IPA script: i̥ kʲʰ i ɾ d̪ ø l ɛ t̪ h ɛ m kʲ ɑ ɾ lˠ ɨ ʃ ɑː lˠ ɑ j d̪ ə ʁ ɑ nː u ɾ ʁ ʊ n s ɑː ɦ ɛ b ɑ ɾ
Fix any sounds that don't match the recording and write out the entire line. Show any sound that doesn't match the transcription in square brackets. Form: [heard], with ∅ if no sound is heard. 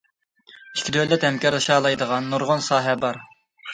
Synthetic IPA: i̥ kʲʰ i [∅] d̪ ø l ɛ t̪ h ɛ m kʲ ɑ ɾ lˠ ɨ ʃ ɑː lˠ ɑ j d̪ ə ʁ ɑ nː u ɾ ʁ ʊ n s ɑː ɦ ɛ b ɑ ɾ